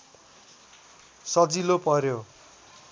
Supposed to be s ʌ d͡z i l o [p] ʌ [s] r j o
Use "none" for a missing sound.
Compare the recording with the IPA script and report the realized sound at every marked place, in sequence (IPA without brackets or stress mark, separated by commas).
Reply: p, none